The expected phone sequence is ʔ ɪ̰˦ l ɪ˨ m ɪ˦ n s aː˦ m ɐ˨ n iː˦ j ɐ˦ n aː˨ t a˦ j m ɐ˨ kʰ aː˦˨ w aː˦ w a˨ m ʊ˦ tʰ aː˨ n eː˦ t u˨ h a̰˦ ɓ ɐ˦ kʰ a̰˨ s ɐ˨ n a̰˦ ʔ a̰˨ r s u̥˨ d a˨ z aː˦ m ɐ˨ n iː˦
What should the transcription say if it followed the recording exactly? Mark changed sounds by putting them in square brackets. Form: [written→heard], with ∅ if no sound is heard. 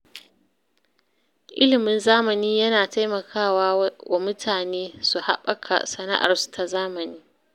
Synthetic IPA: ʔ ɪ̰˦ l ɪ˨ m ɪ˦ n [s→z] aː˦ m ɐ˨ n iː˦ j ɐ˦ n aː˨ t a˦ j m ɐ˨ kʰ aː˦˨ w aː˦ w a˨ m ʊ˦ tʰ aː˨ n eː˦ [t→s] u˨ h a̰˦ ɓ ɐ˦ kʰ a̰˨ s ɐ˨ n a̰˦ ʔ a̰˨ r s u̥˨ [d→t] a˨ z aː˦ m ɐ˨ n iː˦